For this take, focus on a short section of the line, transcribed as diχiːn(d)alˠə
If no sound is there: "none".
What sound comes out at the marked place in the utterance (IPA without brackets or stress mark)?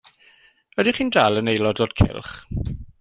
d